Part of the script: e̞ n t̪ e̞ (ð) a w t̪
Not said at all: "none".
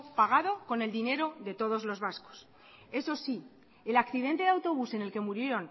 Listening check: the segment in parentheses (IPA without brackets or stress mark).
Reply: ð